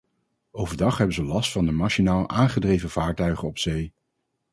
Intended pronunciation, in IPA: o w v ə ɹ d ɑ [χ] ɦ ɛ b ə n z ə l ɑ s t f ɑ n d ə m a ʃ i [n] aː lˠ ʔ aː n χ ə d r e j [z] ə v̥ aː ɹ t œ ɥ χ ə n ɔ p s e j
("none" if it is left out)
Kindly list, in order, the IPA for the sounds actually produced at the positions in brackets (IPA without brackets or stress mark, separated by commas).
χ, n, v